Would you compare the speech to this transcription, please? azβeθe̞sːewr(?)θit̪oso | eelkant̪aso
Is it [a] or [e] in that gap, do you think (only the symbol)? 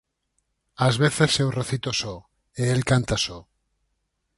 e